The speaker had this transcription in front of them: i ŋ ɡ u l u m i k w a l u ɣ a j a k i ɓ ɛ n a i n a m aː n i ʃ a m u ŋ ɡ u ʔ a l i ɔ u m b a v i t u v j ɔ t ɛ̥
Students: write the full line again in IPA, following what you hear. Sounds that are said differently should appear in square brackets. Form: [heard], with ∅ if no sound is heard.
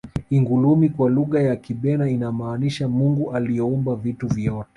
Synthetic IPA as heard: i ŋ ɡ u l u m i k w a l u ɣ a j a k i ɓ ɛ n a i n a m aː n i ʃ a m u ŋ ɡ u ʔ a l i ɔ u m b a v i t u v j ɔ t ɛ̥